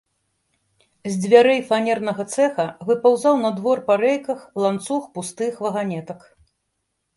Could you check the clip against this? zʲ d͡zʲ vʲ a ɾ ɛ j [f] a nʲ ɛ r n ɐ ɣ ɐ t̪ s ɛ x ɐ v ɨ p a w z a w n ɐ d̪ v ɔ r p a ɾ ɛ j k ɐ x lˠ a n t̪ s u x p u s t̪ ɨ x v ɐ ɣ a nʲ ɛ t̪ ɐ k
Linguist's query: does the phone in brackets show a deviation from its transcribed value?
no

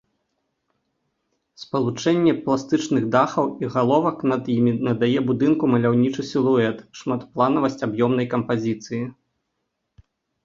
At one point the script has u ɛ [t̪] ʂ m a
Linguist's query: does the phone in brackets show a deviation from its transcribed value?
no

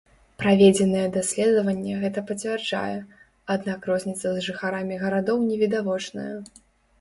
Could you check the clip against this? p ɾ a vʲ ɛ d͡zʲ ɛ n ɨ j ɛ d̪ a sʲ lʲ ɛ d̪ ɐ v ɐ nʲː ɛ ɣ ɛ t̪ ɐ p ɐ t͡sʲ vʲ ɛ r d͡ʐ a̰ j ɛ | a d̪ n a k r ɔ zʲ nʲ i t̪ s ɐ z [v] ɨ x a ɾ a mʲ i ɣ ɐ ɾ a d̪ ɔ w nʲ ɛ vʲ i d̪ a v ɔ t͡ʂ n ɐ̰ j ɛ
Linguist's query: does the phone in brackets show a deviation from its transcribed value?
yes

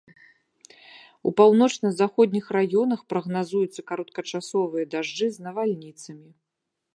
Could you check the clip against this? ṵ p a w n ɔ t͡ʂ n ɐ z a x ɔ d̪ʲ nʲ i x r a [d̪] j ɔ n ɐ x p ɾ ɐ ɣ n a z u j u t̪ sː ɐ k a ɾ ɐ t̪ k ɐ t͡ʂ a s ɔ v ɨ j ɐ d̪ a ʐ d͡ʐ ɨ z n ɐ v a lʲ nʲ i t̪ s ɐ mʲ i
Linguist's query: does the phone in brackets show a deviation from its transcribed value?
yes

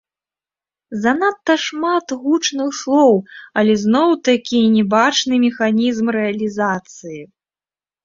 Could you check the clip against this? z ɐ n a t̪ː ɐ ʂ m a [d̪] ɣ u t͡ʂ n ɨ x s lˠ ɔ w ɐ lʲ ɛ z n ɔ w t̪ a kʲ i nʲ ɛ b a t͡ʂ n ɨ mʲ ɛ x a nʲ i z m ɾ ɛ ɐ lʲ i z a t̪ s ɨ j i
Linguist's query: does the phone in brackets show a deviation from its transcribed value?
yes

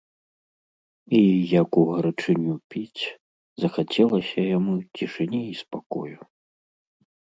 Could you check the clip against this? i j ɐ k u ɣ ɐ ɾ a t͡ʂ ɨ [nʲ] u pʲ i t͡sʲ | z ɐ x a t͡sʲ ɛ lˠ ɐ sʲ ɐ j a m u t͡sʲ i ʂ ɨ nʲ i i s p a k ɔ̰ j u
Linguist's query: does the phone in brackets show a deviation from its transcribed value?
no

